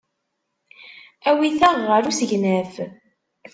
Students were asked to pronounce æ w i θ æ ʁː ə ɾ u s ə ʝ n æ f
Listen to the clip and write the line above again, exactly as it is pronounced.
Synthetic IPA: æ w i θ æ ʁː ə ɾ u s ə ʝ n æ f